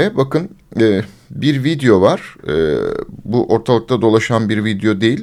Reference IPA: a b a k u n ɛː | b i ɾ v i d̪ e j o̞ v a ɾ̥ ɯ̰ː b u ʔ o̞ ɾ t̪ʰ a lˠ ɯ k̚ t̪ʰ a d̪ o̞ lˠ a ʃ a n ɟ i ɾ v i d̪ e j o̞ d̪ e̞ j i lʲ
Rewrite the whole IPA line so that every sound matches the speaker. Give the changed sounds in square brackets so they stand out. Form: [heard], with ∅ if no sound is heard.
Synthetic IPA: [ɛ] b a k [ɯ] n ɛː | b i ɾ v i d̪ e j o̞ v a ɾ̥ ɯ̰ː b u ʔ o̞ ɾ t̪ʰ a lˠ ɯ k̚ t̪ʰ a d̪ o̞ lˠ a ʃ a n [b] i ɾ v i d̪ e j o̞ d̪ e̞ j i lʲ